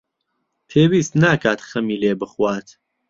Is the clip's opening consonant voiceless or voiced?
voiceless